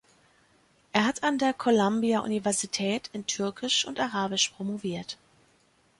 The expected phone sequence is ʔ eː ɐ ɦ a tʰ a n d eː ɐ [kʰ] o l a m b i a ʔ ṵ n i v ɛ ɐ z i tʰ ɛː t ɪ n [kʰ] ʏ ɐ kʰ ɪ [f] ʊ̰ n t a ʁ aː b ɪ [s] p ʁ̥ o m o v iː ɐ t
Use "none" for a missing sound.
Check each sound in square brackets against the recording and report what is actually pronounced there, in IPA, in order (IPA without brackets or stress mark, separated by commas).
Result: kʰ, tʰ, ʃ, ʃ